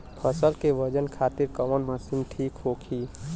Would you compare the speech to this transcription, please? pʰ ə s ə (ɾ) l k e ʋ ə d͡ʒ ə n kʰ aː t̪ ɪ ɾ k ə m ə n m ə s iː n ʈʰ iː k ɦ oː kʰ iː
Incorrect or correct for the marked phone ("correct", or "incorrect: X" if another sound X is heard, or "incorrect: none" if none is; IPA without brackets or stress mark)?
incorrect: none